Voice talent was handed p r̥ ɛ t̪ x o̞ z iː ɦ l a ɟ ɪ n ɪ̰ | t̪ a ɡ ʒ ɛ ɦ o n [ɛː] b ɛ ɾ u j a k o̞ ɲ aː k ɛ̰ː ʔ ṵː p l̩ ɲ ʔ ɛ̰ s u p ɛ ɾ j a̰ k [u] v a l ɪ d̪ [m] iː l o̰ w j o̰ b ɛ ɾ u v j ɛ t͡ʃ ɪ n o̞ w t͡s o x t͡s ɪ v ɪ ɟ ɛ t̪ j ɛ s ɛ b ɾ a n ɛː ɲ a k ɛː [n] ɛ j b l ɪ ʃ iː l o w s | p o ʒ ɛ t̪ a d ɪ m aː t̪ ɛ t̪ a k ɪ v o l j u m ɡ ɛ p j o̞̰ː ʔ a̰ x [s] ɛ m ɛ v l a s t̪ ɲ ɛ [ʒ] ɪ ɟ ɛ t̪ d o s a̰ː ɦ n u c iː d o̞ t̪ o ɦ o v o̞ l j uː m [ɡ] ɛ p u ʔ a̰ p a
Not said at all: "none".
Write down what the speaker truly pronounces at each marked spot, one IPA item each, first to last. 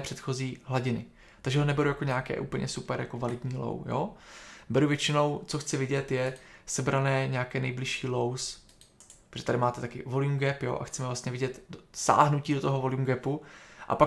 ɛ, o, ɲ, n, t͡s, v, ɡ

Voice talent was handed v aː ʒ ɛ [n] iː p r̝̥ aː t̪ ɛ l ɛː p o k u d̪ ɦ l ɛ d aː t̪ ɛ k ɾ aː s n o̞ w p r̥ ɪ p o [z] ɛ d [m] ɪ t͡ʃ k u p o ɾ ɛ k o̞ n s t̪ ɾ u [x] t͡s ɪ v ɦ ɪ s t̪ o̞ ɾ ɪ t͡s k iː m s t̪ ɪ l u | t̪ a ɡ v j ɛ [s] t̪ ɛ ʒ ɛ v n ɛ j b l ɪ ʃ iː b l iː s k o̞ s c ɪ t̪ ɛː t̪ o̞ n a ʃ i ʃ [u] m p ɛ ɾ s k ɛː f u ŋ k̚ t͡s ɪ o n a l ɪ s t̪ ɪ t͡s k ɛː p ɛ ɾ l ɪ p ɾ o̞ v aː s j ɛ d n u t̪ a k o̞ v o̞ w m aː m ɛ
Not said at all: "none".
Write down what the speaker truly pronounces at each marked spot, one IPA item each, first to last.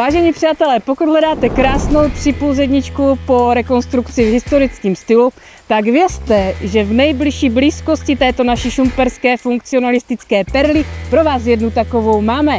ɲ, z, ɲ, k, s, u

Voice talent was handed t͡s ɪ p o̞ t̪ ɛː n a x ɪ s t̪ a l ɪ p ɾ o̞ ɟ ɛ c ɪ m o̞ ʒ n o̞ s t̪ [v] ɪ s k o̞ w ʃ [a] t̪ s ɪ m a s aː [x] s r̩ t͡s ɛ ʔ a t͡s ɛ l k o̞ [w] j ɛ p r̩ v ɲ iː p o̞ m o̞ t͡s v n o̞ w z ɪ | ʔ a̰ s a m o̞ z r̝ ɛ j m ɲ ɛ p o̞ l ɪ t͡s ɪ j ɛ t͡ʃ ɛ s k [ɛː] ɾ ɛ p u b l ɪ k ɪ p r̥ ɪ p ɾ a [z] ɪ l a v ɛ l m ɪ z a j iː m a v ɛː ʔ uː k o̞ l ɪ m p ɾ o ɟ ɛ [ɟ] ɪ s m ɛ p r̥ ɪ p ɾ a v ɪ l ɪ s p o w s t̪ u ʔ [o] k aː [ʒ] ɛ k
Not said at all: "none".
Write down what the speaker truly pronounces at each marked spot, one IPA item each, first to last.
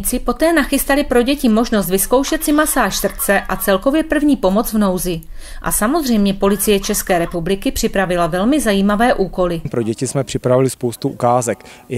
v, ɛ, ʃ, v, ɛː, v, c, u, z

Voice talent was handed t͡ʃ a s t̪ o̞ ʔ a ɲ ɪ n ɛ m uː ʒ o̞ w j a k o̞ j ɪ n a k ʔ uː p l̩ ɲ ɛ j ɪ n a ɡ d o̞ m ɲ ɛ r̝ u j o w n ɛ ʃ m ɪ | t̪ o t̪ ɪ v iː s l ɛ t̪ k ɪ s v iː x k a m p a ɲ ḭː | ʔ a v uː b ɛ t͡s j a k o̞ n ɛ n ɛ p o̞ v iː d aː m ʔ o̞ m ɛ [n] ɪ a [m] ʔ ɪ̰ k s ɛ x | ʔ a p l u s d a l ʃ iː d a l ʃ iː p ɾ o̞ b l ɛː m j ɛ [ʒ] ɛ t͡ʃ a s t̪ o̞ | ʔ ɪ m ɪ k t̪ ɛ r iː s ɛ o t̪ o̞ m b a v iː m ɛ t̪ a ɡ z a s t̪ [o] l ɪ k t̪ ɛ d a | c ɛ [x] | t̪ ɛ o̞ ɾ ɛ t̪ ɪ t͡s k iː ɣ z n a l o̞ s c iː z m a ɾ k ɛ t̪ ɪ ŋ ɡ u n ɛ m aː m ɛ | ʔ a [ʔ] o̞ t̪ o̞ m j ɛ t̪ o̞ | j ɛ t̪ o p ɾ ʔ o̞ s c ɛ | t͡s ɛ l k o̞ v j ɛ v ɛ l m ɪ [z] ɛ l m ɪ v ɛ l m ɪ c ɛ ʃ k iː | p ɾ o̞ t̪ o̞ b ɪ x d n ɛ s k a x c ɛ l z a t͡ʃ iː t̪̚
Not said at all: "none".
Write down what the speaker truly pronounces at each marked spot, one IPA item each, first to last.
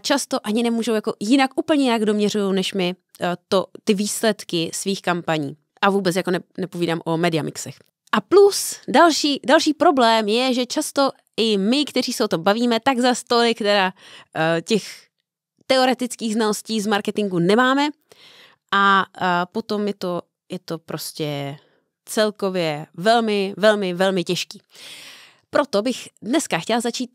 d, m, ʒ, o, x, p, v

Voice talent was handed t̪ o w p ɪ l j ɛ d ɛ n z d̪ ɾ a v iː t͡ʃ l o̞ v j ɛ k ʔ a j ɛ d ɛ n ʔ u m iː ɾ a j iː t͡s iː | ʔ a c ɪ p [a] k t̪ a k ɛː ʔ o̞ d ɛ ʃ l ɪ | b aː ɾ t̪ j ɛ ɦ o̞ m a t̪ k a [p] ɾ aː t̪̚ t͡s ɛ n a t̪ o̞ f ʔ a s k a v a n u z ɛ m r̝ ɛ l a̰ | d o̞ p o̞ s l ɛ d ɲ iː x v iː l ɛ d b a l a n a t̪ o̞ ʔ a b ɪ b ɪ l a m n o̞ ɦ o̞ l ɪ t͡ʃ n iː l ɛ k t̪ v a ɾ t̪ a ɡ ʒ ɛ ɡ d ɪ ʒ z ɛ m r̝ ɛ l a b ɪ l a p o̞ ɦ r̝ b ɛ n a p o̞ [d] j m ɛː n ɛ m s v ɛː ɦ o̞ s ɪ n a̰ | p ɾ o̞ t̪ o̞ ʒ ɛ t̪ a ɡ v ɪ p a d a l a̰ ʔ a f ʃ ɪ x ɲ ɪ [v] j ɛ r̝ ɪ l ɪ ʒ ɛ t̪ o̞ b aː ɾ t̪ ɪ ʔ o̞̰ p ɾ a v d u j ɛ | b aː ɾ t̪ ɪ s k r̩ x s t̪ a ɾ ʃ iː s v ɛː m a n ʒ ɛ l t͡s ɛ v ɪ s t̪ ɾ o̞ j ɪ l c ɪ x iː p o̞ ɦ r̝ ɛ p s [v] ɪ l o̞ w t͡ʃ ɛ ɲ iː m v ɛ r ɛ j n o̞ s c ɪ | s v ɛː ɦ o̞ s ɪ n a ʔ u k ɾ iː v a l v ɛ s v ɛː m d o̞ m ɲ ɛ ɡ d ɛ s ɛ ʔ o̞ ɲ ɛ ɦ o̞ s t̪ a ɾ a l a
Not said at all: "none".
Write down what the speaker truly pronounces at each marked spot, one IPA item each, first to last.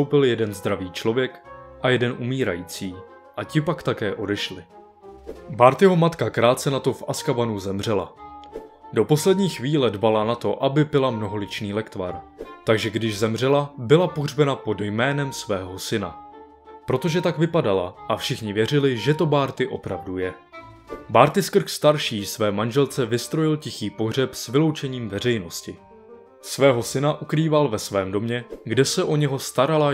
a, k, d, v, v

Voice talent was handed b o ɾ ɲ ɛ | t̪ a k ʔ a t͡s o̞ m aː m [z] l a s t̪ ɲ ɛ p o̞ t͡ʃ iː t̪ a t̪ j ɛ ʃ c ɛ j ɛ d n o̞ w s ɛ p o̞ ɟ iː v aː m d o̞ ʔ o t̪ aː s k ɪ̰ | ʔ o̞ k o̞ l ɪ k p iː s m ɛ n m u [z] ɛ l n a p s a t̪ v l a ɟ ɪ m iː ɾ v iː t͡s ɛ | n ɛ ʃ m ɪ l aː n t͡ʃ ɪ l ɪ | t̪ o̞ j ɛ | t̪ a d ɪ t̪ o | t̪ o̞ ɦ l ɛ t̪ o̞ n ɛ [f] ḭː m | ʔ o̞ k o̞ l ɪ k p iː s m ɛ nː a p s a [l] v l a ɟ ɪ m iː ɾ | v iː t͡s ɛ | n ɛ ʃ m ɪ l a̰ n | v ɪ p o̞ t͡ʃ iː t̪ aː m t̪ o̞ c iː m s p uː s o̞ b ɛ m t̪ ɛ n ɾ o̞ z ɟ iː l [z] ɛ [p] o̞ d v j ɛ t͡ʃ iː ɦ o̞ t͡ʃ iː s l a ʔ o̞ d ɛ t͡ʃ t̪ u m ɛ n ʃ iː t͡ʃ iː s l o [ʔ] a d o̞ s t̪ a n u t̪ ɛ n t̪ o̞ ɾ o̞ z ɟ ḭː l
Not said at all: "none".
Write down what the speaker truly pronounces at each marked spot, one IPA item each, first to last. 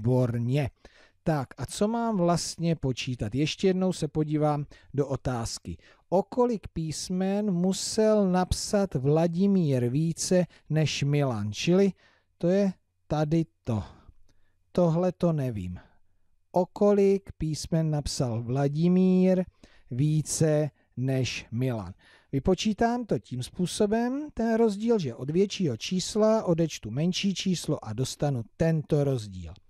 v, s, v, l, ʒ, ʔ, ʔ

